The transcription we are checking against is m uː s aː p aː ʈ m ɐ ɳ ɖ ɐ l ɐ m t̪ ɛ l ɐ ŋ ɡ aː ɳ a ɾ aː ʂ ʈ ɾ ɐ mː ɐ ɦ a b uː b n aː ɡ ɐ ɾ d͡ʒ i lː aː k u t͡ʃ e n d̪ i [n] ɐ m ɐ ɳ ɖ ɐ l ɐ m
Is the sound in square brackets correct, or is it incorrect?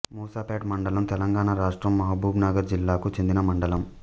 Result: correct